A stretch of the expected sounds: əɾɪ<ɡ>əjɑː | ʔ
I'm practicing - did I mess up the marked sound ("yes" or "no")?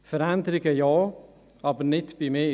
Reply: no